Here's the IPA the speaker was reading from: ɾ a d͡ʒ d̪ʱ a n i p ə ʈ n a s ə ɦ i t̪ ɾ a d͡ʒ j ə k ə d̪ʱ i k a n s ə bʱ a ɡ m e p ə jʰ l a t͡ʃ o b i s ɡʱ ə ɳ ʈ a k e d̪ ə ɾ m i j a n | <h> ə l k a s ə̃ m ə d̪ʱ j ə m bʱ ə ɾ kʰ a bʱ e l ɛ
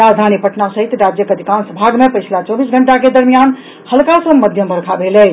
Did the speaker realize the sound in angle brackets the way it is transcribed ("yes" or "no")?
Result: yes